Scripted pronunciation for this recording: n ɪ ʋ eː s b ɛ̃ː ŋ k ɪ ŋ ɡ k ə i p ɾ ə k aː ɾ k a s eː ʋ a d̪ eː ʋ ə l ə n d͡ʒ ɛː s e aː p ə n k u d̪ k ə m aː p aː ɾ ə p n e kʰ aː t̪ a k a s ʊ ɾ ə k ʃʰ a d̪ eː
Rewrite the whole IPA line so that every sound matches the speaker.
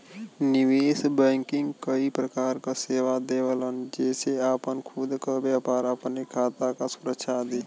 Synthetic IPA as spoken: n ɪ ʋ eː s b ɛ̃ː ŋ k ɪ ŋ ɡ k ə i p ɾ ə k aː ɾ k a s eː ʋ a d̪ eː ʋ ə l ə n d͡ʒ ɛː s e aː p ə n kʰ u d̪ k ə b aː p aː ɾ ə p n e kʰ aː t̪ a k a s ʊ ɾ ə k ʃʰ a d̪ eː